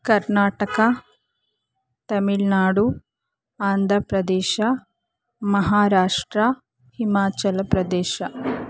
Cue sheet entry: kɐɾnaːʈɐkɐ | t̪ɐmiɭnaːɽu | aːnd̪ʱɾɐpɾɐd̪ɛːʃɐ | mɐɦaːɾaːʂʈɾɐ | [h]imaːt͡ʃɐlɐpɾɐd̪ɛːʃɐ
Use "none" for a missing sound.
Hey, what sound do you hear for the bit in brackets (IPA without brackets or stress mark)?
h